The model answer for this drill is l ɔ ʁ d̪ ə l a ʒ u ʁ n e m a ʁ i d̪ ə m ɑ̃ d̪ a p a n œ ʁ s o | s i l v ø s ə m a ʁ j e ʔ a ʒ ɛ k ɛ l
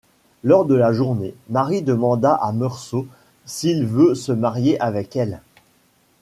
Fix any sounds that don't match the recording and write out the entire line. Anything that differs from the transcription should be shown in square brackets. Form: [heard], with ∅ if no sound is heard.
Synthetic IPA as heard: l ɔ ʁ d̪ ə l a ʒ u ʁ n e m a ʁ i d̪ ə m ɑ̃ d̪ a [ʔ] a [m] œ ʁ s o | s i l v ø s ə m a ʁ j e ʔ a [v] ɛ k ɛ l